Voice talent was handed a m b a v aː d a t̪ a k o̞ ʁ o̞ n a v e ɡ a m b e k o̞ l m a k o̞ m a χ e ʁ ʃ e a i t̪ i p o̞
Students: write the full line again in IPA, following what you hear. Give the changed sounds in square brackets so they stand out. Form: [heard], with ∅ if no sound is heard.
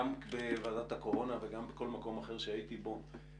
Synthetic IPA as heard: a m b [e] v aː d a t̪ a k o̞ ʁ o̞ n a v e ɡ a m b e k o̞ l m a k o̞ m a χ e ʁ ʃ e a i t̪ i [b] o̞